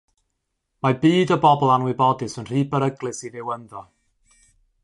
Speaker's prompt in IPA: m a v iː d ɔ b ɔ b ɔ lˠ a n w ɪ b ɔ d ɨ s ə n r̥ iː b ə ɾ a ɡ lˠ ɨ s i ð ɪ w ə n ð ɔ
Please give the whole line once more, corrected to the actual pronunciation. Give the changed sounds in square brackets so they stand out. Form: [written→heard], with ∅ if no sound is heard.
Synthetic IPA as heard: m a [v→b] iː d ɔ b ɔ b ɔ lˠ a n w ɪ b ɔ d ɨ s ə n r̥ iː b ə ɾ [a→ə] ɡ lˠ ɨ s i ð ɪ w ə n ð ɔ